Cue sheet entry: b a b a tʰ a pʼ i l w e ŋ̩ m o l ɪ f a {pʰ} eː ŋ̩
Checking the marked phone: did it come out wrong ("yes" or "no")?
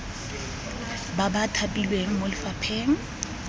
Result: no